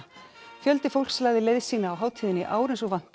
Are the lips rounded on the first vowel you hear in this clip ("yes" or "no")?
yes